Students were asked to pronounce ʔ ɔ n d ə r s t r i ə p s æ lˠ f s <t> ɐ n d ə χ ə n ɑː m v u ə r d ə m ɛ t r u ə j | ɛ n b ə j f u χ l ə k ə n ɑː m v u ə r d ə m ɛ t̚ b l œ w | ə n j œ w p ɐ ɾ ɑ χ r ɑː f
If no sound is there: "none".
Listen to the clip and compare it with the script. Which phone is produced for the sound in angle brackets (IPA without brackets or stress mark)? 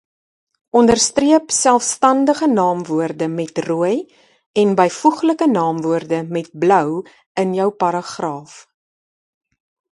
t